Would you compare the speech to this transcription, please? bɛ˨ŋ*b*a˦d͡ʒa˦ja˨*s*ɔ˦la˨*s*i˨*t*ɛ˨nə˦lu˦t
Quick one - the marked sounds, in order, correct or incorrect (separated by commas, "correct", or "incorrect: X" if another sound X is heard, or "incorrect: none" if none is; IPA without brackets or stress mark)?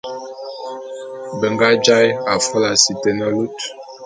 incorrect: ɡ, incorrect: f, correct, correct